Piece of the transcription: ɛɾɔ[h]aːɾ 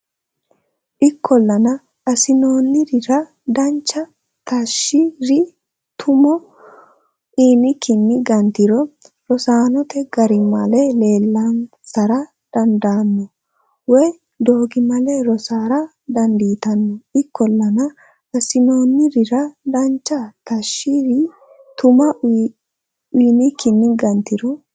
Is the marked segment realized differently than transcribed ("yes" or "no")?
yes